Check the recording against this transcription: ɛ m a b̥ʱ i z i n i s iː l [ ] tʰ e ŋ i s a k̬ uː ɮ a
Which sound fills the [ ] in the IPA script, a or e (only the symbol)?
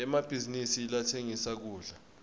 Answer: a